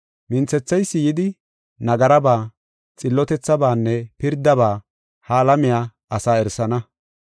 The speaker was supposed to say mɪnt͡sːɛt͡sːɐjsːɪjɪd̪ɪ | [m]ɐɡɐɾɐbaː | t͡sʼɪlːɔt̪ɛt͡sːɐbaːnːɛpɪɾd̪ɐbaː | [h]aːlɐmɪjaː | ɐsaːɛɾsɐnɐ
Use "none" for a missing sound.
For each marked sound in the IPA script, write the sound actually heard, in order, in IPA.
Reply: n, h

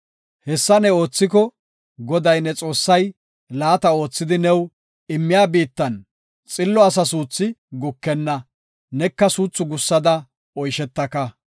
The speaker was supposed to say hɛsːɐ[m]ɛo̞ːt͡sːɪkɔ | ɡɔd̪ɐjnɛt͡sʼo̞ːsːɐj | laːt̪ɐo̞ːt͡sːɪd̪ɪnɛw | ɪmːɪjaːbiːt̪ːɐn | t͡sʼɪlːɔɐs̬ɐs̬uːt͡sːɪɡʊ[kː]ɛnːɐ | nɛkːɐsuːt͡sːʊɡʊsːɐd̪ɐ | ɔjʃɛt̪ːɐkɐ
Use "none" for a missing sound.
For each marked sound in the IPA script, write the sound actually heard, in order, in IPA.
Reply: n, kː

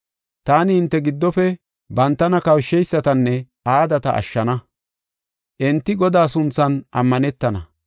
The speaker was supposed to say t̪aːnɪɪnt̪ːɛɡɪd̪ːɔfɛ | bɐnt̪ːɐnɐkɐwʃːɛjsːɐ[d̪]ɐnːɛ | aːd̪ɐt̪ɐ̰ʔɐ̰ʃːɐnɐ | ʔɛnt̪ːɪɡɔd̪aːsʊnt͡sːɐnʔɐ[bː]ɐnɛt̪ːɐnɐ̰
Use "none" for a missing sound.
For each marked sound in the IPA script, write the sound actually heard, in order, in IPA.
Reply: t̪, mː

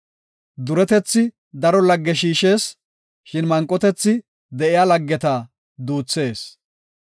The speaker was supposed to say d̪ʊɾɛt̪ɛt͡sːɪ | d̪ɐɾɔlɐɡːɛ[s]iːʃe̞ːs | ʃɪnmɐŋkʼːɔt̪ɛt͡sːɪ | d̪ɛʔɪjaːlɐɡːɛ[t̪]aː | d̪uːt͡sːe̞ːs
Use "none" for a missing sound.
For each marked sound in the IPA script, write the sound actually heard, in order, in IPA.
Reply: ʃ, t̪

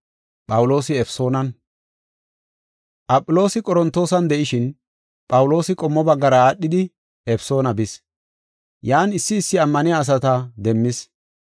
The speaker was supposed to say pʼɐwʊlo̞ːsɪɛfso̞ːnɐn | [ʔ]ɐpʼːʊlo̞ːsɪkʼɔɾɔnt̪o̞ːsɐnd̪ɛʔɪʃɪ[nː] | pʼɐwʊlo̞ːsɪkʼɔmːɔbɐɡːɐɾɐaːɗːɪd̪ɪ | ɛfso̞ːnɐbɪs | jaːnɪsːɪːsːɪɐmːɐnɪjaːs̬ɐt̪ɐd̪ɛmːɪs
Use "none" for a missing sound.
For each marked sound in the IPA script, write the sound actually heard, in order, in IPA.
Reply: ʔ, n

